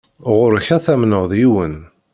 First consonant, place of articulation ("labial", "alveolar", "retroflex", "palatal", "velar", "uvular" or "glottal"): uvular